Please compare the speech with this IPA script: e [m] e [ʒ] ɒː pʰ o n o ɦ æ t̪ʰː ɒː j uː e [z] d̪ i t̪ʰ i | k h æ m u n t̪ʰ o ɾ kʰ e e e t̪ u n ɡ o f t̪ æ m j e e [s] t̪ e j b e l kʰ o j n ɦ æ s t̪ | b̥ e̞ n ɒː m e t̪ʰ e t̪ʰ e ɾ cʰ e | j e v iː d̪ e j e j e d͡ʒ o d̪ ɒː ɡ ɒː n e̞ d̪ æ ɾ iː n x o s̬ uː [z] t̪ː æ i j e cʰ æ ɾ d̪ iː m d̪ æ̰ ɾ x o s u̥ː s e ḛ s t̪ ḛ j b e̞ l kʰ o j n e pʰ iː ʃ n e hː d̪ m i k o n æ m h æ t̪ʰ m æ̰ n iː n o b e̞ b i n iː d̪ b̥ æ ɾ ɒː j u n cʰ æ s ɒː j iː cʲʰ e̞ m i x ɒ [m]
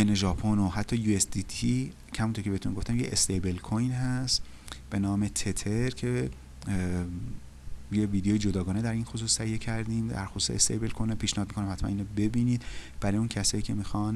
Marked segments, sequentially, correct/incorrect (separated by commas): incorrect, correct, incorrect, correct, incorrect, incorrect